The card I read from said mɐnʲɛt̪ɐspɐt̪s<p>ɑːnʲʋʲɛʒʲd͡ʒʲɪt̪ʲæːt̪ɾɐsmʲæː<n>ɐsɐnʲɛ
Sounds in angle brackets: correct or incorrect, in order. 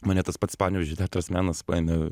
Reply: correct, correct

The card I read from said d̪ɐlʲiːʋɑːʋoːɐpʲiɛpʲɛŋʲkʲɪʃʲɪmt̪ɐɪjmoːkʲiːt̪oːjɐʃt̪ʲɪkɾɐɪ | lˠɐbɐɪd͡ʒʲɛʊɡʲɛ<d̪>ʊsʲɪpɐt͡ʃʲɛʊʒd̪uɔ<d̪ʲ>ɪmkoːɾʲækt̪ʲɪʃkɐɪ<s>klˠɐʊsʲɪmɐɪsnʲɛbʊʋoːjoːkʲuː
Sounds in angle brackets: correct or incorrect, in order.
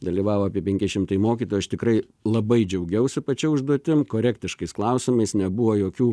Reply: incorrect: none, incorrect: t̪ʲ, correct

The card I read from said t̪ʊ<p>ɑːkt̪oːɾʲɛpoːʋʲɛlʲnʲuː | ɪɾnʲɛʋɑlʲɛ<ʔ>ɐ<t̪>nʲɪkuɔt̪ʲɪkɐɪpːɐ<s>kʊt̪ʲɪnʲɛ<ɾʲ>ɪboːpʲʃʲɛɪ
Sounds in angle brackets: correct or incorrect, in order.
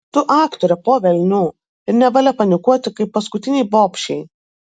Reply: incorrect: ʔ, incorrect: p, incorrect: none, correct, incorrect: none

